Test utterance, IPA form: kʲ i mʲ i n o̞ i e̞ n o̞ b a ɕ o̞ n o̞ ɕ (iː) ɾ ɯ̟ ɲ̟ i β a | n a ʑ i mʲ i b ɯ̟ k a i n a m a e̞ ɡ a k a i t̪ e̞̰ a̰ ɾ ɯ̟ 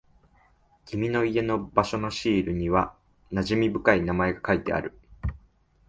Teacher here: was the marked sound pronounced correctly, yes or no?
yes